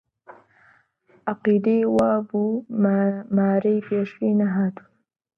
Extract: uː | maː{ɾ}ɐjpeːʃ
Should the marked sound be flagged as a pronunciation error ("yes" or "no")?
no